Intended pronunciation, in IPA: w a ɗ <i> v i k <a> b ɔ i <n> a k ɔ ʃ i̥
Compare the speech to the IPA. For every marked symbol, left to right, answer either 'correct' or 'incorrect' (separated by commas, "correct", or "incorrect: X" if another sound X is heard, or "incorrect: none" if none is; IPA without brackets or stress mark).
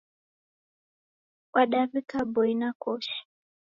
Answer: incorrect: a, correct, correct